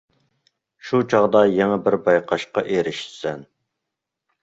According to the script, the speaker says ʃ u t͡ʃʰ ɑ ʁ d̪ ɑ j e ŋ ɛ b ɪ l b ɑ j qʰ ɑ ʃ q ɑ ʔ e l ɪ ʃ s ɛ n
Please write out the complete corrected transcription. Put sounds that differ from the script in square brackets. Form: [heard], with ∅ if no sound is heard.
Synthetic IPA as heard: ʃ u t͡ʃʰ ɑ ʁ d̪ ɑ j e ŋ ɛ b ɪ [ɾ] b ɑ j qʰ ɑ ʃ q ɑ ʔ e [ɾ] ɪ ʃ s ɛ n